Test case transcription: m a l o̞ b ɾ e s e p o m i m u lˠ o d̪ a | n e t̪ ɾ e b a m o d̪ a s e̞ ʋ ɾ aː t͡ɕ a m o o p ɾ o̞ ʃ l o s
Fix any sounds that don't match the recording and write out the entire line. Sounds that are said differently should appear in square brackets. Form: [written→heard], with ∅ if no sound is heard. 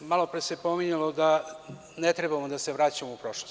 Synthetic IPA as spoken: m a l o̞ [b→p] ɾ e s e p o m i [m→ɲ] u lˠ o d̪ a | n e t̪ ɾ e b a m o d̪ a s e̞ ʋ ɾ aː t͡ɕ a m o [o→u] p ɾ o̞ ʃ l o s